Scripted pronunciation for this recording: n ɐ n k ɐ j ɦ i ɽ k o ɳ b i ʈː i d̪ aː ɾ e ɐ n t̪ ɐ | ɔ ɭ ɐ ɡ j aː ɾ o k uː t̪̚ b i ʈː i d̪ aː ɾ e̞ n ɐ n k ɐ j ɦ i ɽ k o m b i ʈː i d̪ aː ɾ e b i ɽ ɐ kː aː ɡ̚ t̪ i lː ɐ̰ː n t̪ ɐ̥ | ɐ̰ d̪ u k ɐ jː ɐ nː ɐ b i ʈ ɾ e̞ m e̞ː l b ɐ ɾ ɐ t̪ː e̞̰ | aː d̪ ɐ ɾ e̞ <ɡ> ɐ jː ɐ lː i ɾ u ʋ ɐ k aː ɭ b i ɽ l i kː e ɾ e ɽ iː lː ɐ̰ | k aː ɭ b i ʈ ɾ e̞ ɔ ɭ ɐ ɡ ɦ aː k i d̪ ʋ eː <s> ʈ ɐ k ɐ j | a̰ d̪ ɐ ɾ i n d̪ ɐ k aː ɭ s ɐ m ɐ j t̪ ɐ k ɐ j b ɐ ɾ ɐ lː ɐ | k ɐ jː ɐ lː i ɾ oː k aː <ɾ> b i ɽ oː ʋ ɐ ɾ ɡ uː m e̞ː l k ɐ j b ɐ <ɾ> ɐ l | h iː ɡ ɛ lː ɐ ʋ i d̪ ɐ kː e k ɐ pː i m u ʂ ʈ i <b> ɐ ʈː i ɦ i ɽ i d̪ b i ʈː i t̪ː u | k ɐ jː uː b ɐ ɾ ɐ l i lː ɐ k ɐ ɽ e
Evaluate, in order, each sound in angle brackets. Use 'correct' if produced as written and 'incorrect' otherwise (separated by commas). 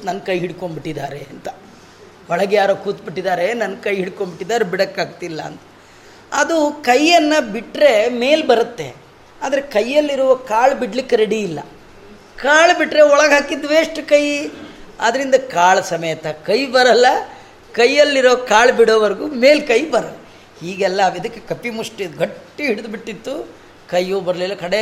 incorrect, incorrect, incorrect, correct, incorrect